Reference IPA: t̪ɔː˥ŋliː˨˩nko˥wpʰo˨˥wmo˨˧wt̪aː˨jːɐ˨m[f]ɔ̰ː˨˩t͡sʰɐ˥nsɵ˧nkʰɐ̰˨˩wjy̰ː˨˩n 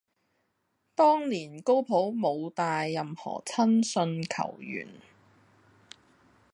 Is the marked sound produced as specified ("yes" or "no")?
no